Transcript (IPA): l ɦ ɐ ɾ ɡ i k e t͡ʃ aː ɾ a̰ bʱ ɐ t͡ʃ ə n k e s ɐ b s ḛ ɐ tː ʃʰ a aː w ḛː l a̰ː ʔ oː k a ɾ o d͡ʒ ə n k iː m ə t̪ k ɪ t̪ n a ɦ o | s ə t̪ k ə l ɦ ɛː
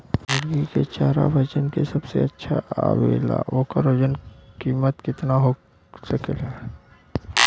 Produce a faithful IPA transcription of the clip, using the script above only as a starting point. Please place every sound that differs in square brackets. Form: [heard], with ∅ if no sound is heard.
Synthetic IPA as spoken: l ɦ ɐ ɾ ɡ i k e t͡ʃ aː ɾ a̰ bʱ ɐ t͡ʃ ə n k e s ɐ b s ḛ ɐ tː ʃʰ a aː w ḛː l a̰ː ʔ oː k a ɾ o d͡ʒ ə n k iː m ə t̪ k ɪ t̪ n a ɦ o | s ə [∅] k ə l ɦ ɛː